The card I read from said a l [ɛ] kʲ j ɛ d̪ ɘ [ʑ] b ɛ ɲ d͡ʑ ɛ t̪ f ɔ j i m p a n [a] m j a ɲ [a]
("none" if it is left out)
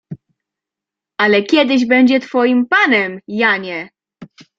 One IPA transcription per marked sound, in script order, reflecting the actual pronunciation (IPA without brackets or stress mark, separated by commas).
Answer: ɛ, ʑ, ɛ, ɛ